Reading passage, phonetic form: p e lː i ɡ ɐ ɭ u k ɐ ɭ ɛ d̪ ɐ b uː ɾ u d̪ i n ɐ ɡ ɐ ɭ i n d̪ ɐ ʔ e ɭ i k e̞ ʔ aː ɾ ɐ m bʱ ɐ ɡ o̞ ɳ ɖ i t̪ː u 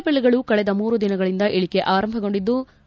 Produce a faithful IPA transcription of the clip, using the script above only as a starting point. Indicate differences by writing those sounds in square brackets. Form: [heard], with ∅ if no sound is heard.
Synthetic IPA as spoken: p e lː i ɡ ɐ ɭ u k ɐ ɭ ɛ d̪ ɐ [m] uː ɾ u d̪ i n ɐ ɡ ɐ ɭ i n d̪ ɐ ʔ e ɭ i k e̞ ʔ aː ɾ ɐ m bʱ ɐ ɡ o̞ ɳ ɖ i [d̪ː] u